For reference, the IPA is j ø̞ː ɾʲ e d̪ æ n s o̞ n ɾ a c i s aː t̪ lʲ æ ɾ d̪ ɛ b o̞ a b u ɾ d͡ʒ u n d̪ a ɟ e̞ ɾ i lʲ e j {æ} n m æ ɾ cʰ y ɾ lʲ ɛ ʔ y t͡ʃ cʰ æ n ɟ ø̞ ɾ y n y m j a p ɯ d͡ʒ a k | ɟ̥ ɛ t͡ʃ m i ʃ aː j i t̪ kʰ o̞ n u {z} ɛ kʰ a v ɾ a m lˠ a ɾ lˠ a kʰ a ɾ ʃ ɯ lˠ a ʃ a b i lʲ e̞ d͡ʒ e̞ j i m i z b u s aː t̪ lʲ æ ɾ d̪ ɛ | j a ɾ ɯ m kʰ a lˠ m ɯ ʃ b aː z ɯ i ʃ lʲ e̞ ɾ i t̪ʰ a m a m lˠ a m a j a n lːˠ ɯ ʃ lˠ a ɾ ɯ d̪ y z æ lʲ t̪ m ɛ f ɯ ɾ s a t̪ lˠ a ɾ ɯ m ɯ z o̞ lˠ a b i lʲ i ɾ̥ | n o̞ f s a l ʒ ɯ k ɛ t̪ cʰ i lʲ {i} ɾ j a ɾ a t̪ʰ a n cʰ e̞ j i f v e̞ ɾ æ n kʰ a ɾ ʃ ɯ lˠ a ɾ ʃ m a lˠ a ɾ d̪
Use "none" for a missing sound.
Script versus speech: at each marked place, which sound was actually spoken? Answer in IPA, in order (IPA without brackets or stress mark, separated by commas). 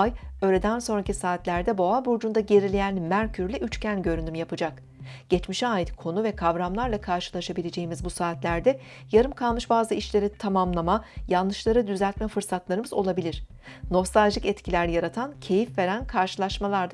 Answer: æ, v, æ